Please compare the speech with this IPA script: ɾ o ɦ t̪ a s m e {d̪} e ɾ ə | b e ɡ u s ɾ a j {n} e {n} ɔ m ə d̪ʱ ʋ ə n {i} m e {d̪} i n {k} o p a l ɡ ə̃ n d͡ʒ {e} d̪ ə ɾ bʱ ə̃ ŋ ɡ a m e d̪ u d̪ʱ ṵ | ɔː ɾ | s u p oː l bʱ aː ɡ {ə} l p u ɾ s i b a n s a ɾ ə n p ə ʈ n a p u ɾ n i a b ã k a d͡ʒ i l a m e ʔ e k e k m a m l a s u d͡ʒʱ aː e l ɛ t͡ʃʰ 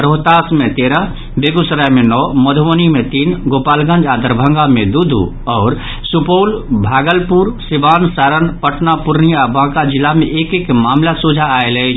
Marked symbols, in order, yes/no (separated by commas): no, no, yes, yes, no, no, no, yes